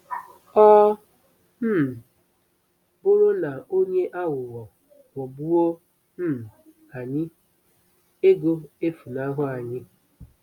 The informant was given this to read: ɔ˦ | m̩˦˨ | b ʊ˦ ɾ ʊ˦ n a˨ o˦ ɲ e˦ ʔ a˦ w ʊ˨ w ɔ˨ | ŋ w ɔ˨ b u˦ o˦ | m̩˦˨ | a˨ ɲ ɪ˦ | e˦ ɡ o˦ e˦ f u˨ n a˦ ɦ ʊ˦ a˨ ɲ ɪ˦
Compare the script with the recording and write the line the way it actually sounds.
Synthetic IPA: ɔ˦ | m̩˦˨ | b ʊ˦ ɾ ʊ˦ n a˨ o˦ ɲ e˦ ʔ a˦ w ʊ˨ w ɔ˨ | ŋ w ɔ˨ b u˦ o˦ | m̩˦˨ | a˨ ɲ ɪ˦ | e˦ ɡ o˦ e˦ f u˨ n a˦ ɦ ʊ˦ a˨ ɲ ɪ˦